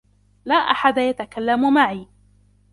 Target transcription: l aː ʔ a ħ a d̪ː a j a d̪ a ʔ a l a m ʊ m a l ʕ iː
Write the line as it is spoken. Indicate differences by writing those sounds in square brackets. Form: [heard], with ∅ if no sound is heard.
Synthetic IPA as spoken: l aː ʔ a ħ a [d̪] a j a [t̪] a [k] a [lː] a m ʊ m a [∅] ʕ iː